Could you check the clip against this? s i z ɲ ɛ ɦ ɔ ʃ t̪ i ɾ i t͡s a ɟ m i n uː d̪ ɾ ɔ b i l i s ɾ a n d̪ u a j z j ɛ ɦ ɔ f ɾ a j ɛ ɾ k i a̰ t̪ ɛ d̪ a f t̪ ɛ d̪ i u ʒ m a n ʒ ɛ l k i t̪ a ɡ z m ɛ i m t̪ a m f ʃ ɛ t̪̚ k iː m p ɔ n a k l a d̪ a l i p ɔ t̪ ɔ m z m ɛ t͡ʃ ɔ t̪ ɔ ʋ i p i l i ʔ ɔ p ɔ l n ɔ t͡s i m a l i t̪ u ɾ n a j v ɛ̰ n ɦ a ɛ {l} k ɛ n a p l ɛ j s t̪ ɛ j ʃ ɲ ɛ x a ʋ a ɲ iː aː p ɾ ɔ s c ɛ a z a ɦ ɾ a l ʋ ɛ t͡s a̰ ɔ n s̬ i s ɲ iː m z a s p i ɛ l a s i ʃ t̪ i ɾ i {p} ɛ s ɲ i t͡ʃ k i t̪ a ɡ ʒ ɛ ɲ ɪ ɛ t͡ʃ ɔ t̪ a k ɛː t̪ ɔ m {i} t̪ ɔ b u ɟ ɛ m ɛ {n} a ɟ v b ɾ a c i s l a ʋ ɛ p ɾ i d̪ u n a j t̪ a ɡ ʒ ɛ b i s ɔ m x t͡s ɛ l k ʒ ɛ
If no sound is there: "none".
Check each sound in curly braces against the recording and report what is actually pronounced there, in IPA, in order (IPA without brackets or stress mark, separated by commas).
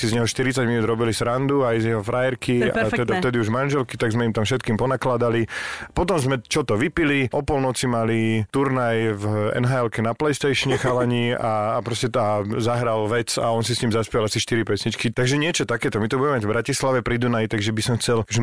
l, p, i, m